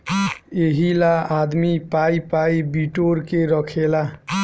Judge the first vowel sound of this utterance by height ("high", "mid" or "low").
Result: mid